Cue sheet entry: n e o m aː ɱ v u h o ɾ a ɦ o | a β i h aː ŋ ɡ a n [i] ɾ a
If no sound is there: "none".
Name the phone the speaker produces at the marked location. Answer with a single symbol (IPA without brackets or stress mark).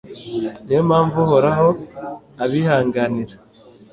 i